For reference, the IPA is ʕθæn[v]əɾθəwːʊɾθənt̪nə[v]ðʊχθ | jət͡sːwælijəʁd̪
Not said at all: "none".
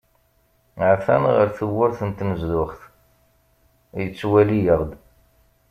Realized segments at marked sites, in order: ʁ, z

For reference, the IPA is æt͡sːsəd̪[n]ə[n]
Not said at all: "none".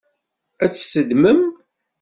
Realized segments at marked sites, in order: m, m

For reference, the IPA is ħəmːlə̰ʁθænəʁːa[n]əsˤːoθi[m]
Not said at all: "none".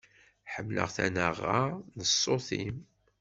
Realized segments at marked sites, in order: n, m

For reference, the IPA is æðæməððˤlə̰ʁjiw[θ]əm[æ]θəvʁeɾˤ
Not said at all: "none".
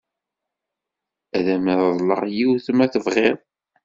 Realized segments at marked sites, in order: θ, æ

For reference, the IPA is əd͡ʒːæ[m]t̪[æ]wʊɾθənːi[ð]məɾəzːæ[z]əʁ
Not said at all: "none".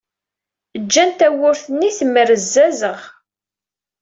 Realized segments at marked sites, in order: n, æ, θ, z

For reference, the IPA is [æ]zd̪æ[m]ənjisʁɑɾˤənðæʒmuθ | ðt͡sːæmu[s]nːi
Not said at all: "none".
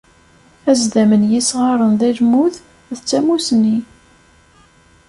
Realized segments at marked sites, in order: æ, m, s

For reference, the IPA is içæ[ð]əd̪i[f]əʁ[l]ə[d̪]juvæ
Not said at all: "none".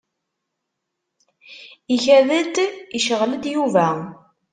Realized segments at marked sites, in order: ð, ʃ, l, d̪

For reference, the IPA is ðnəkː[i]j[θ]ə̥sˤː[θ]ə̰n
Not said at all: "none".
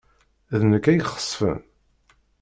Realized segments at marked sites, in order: æ, χ, f

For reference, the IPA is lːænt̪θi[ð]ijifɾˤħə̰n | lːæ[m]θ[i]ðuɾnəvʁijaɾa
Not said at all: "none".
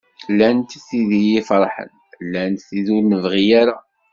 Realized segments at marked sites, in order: ð, n, i

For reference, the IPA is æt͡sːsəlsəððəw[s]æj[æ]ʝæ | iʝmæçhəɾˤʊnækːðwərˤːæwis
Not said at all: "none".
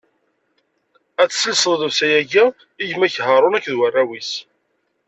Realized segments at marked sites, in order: s, æ

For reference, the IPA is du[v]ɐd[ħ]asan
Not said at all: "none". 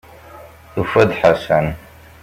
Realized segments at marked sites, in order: f, ħ

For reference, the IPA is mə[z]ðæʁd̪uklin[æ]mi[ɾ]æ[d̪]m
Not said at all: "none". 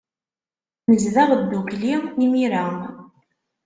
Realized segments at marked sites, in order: z, i, ɾ, none

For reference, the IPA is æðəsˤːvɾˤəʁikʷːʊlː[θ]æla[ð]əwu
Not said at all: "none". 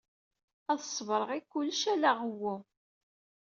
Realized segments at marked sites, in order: ʃ, ʁ

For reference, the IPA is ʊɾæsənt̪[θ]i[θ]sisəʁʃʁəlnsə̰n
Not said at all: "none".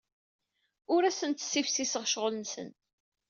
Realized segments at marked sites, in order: s, f

